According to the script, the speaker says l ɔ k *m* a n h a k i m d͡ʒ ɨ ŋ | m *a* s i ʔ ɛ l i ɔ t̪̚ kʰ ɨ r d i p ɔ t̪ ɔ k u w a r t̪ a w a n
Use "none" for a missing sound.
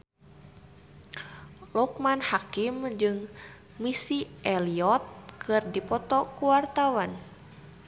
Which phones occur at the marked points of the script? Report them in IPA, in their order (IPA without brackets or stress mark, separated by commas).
m, i